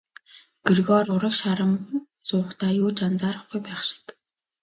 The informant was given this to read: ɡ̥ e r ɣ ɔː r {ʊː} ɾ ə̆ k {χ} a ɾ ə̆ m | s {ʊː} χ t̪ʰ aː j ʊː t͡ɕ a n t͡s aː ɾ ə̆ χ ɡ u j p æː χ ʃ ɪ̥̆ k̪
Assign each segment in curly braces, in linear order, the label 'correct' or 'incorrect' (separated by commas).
incorrect, incorrect, correct